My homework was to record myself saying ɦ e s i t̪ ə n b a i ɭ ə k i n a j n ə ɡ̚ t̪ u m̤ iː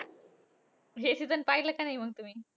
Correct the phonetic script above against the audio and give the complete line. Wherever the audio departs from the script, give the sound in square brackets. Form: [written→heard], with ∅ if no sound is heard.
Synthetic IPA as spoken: ɦ e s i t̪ ə n [b→p] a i [ɭ→l] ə k [i→a] n a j [n→m] ə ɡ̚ t̪ u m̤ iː